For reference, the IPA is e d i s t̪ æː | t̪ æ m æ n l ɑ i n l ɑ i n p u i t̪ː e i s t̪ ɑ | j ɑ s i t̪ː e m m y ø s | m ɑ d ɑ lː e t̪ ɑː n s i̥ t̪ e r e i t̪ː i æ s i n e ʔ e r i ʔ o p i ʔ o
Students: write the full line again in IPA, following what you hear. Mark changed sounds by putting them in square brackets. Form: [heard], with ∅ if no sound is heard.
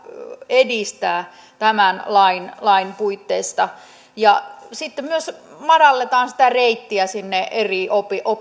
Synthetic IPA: e d i s t̪ æː | t̪ æ m æ n l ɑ i n l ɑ i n p u i t̪ː e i s t̪ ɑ | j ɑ s i t̪ː e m m y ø s | m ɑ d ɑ lː e t̪ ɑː n s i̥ t̪ [æ] r e i t̪ː i æ s i [nː] e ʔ e r i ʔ o p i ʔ o